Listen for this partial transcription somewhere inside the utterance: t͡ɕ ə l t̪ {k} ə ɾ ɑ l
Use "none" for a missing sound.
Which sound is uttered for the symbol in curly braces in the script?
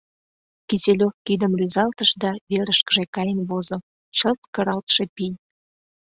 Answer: k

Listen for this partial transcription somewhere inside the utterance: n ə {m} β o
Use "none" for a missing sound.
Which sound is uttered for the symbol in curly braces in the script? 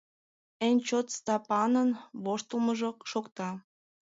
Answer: n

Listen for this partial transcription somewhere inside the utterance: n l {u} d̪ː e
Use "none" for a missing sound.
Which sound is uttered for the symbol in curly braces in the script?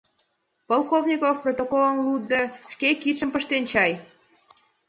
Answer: u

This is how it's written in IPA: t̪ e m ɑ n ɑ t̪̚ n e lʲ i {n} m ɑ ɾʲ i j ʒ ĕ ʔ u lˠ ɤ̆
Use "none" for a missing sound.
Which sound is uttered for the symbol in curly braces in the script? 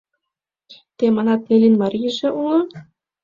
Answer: n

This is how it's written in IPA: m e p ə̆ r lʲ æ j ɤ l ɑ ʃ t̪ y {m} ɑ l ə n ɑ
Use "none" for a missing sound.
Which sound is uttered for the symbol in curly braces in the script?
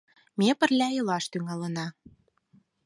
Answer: ŋ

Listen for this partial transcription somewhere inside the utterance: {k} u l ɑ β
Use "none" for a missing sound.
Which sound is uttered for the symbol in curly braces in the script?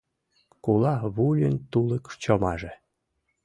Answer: k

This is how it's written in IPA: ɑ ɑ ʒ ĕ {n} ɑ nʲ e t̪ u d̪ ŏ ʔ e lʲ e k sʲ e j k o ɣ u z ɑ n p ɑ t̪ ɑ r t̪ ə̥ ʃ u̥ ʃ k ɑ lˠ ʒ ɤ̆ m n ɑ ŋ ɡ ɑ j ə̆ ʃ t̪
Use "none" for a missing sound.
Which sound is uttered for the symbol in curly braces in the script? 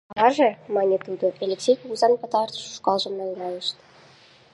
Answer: m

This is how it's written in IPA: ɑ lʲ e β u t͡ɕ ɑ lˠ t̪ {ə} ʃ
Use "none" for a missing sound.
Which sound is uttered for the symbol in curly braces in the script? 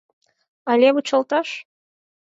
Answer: ɑ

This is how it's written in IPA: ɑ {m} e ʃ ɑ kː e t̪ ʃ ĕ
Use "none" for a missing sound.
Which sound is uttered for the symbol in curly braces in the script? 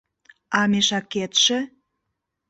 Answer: m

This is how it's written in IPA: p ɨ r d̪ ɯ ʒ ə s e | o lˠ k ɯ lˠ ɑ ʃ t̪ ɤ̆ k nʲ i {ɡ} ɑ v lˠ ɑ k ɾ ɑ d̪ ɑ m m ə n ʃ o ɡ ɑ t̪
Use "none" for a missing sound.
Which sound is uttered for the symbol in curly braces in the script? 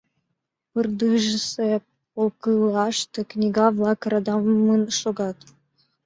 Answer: ɡ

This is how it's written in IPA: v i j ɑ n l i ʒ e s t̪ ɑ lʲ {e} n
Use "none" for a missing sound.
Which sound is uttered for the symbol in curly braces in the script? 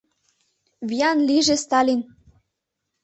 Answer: i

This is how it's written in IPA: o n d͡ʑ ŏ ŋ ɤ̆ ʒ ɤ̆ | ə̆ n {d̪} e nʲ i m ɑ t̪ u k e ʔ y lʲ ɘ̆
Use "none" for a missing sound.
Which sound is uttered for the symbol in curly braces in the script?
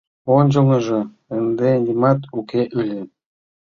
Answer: d̪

